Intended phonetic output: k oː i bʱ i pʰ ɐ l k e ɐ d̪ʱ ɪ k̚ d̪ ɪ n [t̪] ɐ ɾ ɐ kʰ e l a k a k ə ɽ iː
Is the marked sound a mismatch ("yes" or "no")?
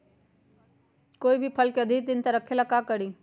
no